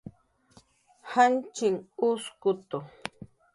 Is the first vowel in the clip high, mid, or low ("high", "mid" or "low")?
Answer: low